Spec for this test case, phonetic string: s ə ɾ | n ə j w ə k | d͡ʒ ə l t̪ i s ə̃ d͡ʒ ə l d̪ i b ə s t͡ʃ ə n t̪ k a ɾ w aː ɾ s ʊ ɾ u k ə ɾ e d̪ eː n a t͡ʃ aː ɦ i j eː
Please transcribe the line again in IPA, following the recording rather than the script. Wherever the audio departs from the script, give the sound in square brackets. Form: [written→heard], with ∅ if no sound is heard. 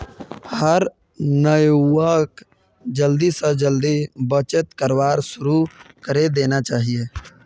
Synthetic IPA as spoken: [s→h] ə ɾ | n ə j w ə k | d͡ʒ ə l [t̪→d̪] i s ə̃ d͡ʒ ə l d̪ i b ə [s→∅] t͡ʃ ə [n→∅] t̪ k [a→ə] ɾ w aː ɾ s ʊ ɾ u k ə ɾ e d̪ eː n a t͡ʃ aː ɦ i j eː